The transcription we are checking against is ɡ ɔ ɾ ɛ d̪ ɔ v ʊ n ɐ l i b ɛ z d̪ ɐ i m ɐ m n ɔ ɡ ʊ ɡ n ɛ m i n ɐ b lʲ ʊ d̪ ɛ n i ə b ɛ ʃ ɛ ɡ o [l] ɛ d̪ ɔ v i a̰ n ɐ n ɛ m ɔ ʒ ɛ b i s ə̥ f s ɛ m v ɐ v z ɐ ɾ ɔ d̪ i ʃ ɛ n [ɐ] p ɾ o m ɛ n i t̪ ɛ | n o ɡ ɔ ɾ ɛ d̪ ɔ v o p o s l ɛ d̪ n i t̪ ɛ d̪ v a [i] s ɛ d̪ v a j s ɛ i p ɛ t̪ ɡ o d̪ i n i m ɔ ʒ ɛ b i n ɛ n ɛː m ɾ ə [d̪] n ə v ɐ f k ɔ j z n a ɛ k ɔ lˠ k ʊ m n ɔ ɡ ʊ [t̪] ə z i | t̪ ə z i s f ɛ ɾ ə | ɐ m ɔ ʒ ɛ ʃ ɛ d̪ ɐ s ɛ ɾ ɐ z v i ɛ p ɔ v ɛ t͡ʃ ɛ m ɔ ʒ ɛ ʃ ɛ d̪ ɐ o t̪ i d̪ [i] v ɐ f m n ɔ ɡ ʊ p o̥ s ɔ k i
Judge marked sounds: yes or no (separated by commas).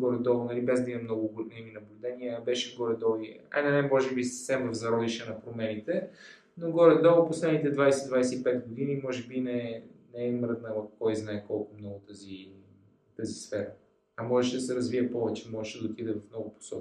no, yes, no, yes, yes, no